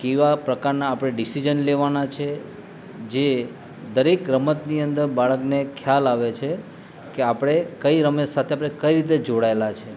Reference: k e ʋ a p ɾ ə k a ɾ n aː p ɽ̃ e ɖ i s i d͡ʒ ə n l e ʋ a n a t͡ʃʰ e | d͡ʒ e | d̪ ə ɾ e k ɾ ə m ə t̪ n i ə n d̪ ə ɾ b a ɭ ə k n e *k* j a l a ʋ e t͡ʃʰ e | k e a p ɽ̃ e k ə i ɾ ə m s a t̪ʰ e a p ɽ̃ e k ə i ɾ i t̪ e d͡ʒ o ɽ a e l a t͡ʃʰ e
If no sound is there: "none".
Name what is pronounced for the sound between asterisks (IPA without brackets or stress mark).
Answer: kʰ